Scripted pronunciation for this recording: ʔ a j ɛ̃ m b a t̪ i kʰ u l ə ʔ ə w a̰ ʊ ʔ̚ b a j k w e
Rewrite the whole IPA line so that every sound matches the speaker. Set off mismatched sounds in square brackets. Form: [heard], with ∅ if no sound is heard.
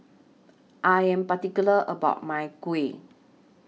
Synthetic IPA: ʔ a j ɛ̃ m [p] a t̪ i [k] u l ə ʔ ə [b] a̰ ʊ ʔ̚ [m] a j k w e